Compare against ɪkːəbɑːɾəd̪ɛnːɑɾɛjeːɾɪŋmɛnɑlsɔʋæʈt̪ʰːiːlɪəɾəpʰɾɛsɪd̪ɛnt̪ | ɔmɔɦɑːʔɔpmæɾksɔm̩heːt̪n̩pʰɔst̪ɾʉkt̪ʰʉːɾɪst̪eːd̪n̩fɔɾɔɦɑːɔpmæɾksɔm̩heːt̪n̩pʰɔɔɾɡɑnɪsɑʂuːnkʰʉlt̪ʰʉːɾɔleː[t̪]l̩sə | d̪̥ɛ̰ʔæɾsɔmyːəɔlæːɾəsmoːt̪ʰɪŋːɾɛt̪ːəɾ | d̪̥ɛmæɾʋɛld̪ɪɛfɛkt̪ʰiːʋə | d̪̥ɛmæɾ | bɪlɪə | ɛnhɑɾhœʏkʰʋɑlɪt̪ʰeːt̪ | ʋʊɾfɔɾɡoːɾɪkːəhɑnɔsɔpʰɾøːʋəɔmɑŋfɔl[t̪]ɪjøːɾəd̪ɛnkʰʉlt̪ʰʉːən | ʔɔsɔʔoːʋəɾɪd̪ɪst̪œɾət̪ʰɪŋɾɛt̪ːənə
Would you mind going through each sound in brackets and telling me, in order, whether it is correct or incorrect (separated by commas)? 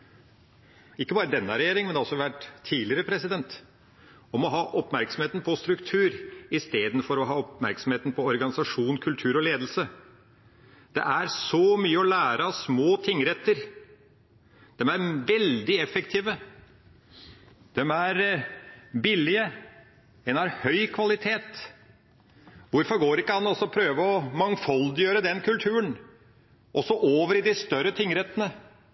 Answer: incorrect, incorrect